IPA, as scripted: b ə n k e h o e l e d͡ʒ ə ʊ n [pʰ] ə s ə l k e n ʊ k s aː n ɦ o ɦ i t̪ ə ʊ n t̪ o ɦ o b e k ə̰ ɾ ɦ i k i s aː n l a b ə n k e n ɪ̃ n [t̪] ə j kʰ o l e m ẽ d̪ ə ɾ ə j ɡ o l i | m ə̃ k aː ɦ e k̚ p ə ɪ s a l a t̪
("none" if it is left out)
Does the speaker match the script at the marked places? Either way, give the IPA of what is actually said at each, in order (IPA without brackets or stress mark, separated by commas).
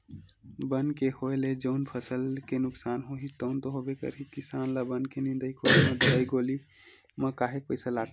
pʰ, d̪